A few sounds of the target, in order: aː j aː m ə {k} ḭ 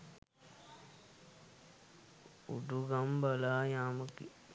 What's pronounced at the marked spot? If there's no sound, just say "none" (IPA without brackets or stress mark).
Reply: k